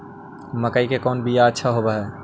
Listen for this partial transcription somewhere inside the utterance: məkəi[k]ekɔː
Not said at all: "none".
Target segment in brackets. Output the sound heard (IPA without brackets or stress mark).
k